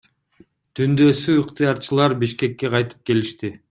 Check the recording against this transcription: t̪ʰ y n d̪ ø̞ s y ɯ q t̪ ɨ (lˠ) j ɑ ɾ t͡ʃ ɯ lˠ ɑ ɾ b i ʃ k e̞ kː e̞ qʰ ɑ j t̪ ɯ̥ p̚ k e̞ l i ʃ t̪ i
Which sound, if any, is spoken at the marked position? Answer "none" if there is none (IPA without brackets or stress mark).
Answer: none